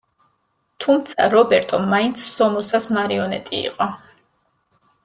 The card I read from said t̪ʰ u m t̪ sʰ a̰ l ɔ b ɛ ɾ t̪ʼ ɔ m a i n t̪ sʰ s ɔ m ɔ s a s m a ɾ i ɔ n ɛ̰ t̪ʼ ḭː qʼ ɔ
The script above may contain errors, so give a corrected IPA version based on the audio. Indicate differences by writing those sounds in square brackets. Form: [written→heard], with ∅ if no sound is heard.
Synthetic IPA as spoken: t̪ʰ u m t̪ sʰ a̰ [l→ɾ] ɔ b ɛ ɾ t̪ʼ ɔ m a i n t̪ sʰ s ɔ m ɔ s a s m a ɾ i ɔ n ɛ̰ t̪ʼ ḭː qʼ ɔ